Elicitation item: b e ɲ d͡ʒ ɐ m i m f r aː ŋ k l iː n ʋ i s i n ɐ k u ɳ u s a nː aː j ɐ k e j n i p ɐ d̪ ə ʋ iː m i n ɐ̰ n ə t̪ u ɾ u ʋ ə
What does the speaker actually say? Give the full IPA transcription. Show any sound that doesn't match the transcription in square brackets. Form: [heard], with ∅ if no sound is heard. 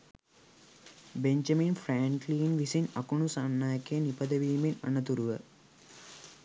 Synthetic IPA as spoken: b e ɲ d͡ʒ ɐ m i [n] f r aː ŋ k l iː n ʋ i s i n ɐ k u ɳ u s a nː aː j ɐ k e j n i p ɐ d̪ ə ʋ iː m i n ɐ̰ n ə t̪ u ɾ u ʋ ə